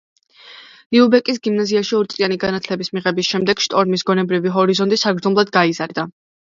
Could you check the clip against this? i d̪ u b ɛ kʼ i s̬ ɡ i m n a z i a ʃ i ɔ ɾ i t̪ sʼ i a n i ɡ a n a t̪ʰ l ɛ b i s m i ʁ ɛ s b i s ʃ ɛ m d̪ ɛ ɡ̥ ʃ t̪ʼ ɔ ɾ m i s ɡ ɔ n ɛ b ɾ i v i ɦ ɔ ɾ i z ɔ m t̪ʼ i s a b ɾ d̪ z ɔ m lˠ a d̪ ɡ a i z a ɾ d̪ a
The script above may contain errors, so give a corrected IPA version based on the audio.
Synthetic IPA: i u b ɛ kʼ i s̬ ɡ i m n a z i a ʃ i ɔ ɾ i t̪ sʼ i a n i ɡ a n a t̪ʰ l ɛ b i s m i ʁ ɛ b i s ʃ ɛ m d̪ ɛ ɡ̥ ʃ t̪ʼ ɔ ɾ m i s ɡ ɔ n ɛ b ɾ i v i ɦ ɔ ɾ i z ɔ n t̪ʼ i s a ɡ ɾ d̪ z ɔ m lˠ a d̪ ɡ a i z a ɾ d̪ a